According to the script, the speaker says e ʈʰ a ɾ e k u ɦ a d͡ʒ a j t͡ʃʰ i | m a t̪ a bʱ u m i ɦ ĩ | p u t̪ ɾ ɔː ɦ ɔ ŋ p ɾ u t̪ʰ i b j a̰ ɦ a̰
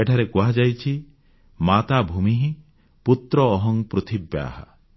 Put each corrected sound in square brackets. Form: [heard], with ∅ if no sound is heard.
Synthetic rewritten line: e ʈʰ a ɾ e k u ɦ a d͡ʒ a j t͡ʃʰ i | m a t̪ a bʱ u m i ɦ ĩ | p u t̪ ɾ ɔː ɦ ɔ ŋ p ɾ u t̪ʰ i b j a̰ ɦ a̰